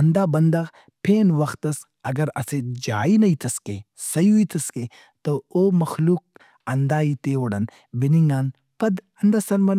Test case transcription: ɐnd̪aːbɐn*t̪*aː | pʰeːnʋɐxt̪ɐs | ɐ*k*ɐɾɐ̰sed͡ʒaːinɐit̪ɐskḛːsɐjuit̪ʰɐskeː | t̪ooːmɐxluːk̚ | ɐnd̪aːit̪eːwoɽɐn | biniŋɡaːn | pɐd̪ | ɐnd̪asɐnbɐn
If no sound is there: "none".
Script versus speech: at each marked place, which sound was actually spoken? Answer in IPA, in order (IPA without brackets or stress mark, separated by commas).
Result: d̪, ɡ